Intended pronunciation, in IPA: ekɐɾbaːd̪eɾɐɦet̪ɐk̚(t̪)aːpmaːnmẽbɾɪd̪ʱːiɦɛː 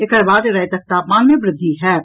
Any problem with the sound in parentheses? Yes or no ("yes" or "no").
no